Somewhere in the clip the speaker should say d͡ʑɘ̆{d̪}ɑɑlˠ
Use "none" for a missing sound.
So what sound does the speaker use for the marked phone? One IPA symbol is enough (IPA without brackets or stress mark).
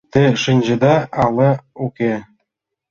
d̪